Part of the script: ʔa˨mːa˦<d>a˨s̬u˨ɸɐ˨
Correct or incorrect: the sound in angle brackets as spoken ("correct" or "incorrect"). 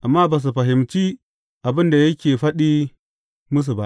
incorrect